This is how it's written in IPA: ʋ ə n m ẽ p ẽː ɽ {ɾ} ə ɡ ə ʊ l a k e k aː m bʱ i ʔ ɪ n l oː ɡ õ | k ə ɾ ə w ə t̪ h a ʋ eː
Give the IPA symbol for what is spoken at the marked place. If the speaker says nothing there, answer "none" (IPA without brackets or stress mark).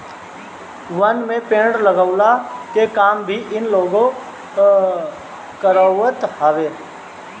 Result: l